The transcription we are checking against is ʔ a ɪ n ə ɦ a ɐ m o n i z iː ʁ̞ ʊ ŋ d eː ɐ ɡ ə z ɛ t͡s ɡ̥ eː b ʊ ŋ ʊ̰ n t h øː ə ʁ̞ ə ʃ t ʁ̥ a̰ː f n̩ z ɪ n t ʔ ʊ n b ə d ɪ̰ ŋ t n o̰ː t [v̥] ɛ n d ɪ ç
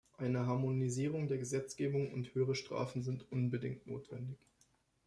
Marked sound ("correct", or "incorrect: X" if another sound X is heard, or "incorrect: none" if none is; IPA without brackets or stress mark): correct